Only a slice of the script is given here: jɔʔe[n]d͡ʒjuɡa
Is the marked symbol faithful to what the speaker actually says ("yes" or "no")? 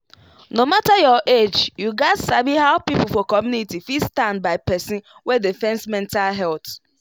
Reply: no